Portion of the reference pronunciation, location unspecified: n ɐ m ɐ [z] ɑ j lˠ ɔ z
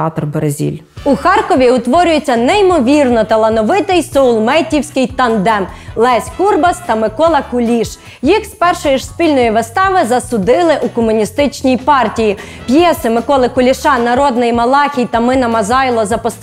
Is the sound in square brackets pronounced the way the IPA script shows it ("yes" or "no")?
yes